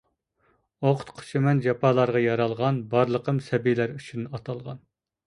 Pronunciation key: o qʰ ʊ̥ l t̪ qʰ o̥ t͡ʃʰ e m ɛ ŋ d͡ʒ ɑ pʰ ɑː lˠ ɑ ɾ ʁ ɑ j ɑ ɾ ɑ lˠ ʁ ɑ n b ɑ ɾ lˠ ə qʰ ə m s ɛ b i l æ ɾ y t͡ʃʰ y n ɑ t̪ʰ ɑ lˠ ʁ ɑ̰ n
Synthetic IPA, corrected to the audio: o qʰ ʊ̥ t̪ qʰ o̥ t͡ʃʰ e m ɛ n d͡ʒ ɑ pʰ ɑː lˠ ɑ ɾ ʁ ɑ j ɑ ɾ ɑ lˠ ʁ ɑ n b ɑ ɾ lˠ ə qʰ ə m s ɛ b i l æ ɾ y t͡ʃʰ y n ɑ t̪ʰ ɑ lˠ ʁ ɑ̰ n